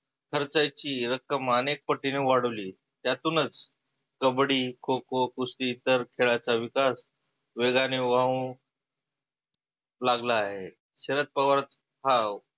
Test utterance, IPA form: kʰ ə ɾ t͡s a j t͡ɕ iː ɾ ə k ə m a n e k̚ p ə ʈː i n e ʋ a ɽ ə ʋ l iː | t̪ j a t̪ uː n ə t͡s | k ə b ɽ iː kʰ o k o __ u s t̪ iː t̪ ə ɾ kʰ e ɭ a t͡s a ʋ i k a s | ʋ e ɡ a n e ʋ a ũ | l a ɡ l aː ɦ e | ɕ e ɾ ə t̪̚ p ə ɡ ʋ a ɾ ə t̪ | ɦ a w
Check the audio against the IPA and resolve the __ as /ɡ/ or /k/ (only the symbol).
k